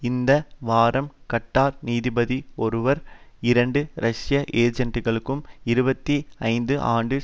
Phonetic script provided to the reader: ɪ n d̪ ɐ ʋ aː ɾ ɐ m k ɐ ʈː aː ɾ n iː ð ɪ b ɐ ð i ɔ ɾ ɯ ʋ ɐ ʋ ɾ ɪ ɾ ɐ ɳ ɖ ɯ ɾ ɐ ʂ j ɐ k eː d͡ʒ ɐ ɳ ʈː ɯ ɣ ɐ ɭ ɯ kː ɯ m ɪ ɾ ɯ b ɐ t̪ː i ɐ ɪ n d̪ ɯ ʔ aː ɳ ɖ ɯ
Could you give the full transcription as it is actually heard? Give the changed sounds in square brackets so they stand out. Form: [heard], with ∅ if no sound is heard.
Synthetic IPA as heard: ɪ n d̪ ɐ ʋ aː ɾ ɐ m k ɐ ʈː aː ɾ n iː ð ɪ b ɐ ð i ɔ ɾ ɯ ʋ ɐ [∅] ɾ ɪ ɾ ɐ ɳ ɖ ɯ ɾ ɐ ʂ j ɐ [ʔ] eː d͡ʒ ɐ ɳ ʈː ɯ ɣ ɐ ɭ ɯ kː ɯ m ɪ ɾ ɯ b ɐ t̪ː i ɐ ɪ n d̪ ɯ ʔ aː ɳ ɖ ɯ